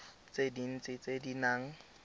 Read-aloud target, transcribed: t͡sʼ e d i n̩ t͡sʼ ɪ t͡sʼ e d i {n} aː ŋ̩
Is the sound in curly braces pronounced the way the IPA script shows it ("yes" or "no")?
yes